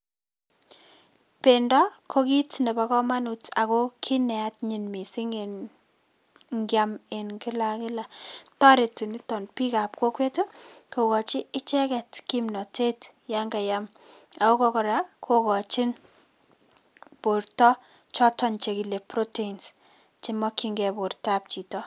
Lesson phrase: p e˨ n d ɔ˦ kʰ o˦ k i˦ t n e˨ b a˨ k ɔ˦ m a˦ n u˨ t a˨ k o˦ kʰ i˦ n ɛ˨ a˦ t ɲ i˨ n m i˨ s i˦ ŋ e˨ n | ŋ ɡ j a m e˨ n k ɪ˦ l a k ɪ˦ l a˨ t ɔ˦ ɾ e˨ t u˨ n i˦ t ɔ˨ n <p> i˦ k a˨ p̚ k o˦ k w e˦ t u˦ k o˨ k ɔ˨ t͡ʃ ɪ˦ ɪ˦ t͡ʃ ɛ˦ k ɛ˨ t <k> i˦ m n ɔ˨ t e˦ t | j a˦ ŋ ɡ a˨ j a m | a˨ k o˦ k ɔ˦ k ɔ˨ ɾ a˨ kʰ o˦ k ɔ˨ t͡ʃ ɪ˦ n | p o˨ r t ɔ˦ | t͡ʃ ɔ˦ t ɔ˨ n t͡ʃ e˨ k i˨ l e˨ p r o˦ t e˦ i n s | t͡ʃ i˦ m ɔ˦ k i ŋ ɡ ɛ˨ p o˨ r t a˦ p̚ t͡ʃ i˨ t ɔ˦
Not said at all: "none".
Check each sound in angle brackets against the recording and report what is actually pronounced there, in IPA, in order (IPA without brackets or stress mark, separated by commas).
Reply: p, k